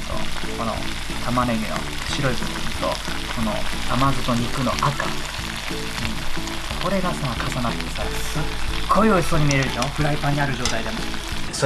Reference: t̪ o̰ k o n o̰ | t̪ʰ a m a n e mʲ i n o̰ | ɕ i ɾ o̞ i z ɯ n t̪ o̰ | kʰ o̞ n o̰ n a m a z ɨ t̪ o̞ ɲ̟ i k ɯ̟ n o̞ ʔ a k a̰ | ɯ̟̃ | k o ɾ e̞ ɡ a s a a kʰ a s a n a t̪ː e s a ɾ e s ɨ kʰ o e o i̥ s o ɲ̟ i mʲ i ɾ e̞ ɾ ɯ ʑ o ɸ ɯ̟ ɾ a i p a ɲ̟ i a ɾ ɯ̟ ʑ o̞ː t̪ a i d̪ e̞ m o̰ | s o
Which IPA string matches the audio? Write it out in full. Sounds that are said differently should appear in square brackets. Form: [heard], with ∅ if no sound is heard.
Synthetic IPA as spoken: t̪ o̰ k o n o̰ | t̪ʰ a m a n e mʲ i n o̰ | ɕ i ɾ o̞ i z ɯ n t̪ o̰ | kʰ o̞ n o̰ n a m a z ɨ t̪ o̞ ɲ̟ i k ɯ̟ n o̞ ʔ a k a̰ | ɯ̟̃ | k o ɾ e̞ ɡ a s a a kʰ a s a n a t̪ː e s a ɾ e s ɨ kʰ o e o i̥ s o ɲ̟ i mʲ i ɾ e̞ ɾ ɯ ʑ o ɸ ɯ̟ ɾ a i p a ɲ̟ i a ɾ ɯ̟ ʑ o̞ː t̪ a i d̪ e̞ m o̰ | s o